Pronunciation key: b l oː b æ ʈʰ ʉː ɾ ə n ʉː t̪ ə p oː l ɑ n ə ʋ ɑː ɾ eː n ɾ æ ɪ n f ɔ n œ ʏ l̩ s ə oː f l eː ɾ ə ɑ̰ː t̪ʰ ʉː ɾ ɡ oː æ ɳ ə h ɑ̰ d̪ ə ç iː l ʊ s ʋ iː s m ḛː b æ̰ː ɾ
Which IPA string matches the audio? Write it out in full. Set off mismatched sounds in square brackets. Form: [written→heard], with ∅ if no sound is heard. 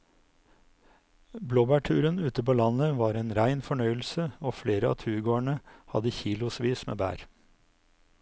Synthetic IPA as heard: b l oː b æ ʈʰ ʉː ɾ ə n ʉː t̪ ə p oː l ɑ n ə ʋ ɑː ɾ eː n ɾ æ ɪ n f ɔ [n→ɳ] œ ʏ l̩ s ə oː f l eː ɾ ə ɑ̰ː t̪ʰ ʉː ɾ ɡ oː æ ɳ ə h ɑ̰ d̪ ə ç iː l ʊ s ʋ iː s m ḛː b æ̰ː ɾ